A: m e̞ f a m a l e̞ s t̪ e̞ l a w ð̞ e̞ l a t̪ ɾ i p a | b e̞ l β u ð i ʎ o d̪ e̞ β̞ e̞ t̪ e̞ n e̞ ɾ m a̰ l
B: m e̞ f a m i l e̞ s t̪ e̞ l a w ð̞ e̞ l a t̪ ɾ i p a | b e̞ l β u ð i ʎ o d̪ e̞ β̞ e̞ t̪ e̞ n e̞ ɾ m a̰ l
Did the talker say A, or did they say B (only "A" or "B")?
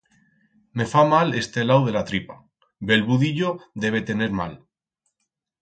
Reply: A